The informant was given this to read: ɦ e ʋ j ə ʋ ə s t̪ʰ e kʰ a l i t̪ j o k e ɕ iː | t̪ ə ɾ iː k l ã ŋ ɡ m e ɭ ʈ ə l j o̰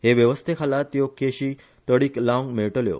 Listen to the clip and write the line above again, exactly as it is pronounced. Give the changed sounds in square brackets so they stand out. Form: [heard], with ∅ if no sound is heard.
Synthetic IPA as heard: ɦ e ʋ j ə ʋ ə s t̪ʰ e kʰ a l [a] t̪ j o k e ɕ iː | t̪ ə [ɽ] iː k l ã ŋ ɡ m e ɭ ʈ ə l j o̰